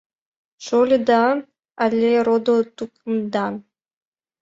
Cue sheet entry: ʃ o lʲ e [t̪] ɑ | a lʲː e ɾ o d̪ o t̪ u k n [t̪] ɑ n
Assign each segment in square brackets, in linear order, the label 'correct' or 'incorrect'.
incorrect: d̪, incorrect: d̪

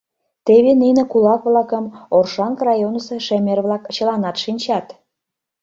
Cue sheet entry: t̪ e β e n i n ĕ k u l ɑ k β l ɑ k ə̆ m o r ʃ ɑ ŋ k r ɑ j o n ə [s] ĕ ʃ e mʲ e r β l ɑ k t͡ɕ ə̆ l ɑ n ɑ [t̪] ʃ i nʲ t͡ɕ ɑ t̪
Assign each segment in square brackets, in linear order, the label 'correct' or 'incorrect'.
correct, correct

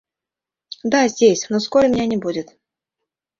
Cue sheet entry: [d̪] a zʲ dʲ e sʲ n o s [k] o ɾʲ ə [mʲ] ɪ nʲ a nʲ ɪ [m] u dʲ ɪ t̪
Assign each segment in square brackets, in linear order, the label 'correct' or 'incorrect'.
correct, correct, correct, incorrect: b

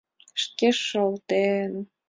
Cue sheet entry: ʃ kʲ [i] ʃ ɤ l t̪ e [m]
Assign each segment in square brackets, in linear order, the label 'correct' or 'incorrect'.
incorrect: e, incorrect: n

